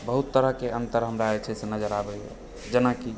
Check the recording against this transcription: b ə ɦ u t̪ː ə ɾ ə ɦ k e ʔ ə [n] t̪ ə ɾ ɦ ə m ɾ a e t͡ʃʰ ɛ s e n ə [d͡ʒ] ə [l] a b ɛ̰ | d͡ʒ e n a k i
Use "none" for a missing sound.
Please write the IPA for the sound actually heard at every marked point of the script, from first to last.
n, d͡ʒ, ɾ

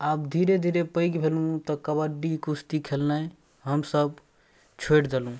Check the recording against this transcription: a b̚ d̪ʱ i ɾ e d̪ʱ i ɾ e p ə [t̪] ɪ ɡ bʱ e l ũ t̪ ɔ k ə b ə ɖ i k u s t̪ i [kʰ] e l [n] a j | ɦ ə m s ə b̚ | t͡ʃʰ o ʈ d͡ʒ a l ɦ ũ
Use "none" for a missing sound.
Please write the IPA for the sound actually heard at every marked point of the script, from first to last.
none, kʰ, n

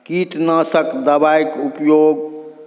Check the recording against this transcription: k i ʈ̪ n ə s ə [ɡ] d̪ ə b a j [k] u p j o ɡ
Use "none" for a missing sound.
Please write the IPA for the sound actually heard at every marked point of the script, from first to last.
k, k

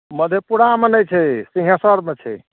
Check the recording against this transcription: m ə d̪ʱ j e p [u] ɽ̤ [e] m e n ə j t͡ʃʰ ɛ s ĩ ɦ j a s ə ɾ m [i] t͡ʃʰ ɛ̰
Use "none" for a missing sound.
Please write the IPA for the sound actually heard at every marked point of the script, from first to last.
u, a, e

